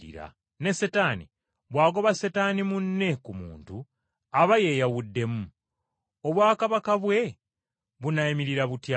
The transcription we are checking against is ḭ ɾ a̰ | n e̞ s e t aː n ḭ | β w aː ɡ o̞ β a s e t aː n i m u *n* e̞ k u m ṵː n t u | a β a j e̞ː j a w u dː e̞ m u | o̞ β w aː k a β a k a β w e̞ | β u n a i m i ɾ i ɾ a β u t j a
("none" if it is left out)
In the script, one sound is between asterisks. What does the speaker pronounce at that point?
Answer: nː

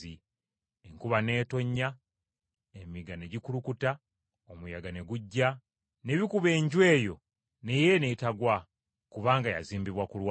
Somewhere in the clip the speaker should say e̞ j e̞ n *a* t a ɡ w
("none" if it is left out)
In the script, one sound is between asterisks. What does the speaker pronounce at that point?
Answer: e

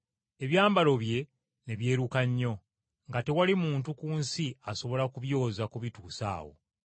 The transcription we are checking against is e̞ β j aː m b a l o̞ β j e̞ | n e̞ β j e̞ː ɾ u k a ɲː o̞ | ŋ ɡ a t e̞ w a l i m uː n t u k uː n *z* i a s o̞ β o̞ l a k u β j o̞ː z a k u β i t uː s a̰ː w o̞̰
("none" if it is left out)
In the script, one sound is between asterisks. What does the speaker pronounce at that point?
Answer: s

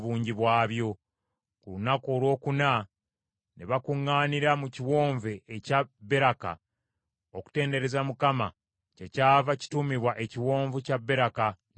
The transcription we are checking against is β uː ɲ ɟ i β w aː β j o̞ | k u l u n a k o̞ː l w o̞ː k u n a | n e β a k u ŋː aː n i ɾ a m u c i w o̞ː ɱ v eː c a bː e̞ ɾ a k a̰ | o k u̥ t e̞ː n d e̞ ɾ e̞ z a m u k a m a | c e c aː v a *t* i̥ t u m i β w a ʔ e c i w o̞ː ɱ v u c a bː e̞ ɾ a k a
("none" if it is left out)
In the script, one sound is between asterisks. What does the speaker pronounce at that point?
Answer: c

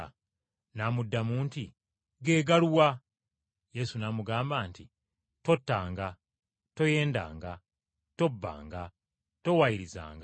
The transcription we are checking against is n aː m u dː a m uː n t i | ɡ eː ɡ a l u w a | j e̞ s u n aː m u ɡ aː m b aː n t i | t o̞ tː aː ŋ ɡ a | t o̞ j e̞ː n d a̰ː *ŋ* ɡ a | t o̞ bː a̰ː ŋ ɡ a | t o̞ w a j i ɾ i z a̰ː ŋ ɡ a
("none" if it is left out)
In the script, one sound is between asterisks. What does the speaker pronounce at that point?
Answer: ŋ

